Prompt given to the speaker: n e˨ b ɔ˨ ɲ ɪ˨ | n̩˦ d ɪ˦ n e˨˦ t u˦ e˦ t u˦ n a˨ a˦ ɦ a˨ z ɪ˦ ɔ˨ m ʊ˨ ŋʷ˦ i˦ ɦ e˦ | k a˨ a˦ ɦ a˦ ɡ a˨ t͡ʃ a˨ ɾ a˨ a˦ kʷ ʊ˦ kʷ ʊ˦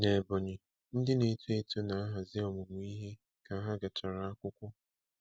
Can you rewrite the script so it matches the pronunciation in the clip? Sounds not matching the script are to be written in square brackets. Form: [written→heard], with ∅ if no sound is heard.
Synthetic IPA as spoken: n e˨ b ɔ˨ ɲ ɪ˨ | n̩˦ d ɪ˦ n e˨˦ t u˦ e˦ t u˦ n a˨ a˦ ɦ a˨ z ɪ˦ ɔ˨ m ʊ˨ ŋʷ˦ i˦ ɦ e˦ | k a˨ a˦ ɦ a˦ ɡ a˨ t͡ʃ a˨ ɾ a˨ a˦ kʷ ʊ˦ kʷ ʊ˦